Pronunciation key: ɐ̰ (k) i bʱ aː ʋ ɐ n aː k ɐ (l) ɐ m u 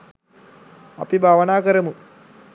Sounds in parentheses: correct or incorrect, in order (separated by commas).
incorrect, incorrect